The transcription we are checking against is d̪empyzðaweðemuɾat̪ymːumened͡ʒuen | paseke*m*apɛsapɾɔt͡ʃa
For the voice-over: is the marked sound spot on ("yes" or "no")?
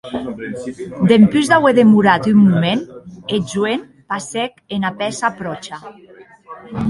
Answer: no